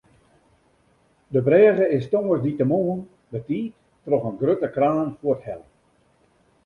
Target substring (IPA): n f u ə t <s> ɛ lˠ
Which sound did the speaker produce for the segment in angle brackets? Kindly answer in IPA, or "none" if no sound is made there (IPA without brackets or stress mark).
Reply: h